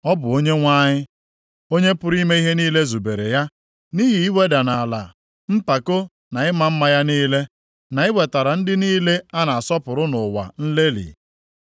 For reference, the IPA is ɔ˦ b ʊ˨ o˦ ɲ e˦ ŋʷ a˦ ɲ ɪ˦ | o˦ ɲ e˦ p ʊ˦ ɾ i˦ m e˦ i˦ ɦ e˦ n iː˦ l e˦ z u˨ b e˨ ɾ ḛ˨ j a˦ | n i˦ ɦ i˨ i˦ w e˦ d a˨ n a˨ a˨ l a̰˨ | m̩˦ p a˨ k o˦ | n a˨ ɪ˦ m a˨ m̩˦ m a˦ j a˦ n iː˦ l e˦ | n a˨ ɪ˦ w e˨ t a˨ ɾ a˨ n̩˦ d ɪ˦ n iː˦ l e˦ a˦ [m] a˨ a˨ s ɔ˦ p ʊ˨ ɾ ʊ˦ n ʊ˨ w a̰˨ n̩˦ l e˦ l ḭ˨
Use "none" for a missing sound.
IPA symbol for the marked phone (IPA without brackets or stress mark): n